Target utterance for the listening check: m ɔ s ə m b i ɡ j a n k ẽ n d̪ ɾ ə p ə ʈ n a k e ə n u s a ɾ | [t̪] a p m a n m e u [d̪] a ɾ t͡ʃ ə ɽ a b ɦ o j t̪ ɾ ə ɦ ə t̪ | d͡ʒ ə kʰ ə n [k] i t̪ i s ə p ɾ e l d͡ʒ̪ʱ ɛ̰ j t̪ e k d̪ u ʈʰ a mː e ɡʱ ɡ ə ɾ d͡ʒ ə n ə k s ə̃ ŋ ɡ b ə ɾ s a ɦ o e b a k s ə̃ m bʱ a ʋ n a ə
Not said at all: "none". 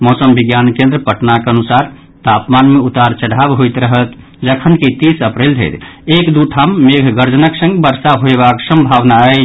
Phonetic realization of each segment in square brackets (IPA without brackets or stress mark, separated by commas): t̪, t̪, k